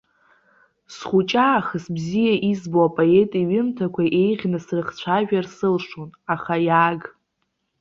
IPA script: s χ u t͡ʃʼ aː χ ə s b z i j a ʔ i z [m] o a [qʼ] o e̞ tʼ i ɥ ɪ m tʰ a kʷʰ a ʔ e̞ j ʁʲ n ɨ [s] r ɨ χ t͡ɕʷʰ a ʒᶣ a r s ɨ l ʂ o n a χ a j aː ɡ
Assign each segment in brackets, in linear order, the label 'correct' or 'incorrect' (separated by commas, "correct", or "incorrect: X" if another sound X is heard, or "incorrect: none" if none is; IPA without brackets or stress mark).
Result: incorrect: b, incorrect: pʼ, correct